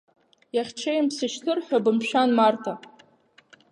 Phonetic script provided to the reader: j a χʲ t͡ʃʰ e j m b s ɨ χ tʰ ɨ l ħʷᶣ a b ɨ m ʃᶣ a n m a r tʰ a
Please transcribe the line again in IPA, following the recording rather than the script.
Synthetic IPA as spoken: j a χʲ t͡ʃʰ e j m p s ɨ ʃ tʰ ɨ r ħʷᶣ a b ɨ m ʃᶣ a n m a r tʰ a

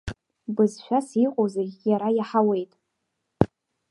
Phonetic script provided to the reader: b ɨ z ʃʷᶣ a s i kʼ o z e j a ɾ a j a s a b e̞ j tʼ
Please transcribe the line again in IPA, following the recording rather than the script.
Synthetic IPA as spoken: b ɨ z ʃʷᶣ a s i qʼ o z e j a ɾ a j a ħ a w e̞ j tʼ

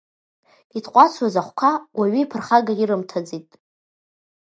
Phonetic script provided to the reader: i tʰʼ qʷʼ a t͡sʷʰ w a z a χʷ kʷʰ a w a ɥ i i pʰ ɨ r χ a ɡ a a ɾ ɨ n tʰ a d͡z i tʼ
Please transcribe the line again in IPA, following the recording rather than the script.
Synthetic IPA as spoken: i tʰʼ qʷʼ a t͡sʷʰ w a z a χʷ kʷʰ a w a ɥ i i pʰ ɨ r χ a ɡ a i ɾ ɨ m tʰ a d͡z i tʼ

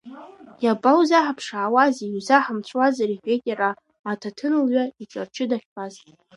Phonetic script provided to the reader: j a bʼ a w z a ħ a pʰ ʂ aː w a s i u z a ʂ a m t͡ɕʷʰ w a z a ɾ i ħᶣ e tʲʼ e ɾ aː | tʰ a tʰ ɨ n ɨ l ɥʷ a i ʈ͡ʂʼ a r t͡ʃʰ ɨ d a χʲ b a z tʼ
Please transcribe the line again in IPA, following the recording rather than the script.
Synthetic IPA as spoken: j a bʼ a w z a ħ a pʰ ʂ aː w a z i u z a ħ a m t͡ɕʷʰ w a z a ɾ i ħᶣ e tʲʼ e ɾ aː | tʰ a tʰ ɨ n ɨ l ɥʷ a i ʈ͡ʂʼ a r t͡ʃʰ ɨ d a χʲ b a z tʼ

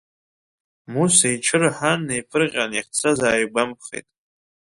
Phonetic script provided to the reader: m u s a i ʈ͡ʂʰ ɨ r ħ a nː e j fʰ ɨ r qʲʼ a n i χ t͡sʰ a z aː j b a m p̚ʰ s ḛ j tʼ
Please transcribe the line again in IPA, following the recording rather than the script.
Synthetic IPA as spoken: m u s a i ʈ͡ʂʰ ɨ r ħ a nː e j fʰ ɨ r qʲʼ a n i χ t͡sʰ a z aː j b a m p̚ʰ χ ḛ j tʼ

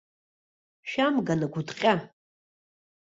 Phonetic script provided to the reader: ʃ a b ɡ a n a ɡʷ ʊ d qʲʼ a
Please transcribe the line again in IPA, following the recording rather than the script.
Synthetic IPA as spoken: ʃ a m ɡ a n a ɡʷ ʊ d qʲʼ a

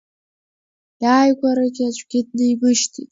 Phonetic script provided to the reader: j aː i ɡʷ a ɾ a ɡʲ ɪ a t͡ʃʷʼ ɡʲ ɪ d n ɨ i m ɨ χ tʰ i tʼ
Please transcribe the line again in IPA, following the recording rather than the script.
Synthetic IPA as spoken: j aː j ɡʷ a ɾ a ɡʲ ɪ a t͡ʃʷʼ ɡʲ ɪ d n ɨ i m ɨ ʃ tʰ i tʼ

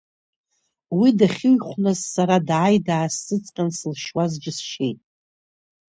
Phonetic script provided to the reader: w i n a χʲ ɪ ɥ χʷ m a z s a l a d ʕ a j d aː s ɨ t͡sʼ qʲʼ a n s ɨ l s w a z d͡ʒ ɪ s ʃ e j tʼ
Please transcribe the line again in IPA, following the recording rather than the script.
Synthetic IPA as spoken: w i d a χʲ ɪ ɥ χʷ n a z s a ɾ a d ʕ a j d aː s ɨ t͡sʼ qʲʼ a n s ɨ l ʃ w a z d͡ʒ ɪ s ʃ e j tʼ

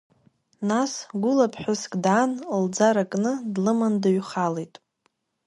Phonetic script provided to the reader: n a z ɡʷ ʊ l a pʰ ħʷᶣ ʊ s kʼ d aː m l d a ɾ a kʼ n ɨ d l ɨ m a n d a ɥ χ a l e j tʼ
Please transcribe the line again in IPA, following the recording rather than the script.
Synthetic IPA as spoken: n a s ɡʷ ʊ l a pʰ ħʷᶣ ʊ s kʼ d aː n l d͡z a ɾ a kʼ n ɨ d l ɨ m a n d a ɥ χ a l e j tʼ

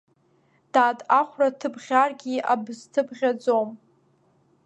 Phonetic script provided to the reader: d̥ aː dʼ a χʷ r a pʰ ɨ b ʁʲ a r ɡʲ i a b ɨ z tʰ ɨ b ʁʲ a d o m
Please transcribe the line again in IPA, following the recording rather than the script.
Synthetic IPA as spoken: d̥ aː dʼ a χʷ r a tʰ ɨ b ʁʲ a r ɡʲ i a b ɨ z tʰ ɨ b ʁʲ a d͡z o m

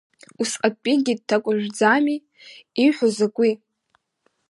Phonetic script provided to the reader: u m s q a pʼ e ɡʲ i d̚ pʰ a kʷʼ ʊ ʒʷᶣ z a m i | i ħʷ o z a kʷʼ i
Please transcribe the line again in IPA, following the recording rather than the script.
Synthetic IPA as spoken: u s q a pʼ i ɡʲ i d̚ tʰ a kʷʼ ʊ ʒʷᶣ d͡z a m i | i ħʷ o z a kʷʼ i

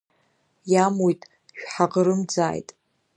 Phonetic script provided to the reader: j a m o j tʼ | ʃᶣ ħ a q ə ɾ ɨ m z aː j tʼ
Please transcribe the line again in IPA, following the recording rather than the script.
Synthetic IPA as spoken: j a m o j tʼ | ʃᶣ ħ a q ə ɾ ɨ m d͡z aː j tʼ

